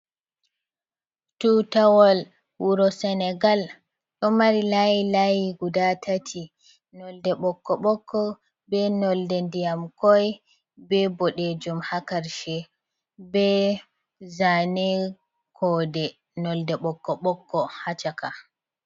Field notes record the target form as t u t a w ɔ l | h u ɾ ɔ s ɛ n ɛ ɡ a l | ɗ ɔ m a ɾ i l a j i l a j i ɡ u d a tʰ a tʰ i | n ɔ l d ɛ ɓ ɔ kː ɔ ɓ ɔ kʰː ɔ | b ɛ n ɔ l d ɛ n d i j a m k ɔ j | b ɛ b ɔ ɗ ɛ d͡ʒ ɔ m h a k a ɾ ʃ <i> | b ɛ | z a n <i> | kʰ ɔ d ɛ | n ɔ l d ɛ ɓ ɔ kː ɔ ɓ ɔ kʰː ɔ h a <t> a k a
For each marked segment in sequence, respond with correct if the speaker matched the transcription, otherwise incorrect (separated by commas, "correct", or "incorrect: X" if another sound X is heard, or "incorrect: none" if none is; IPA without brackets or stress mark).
incorrect: ɛ, incorrect: ɛ, incorrect: t͡ʃ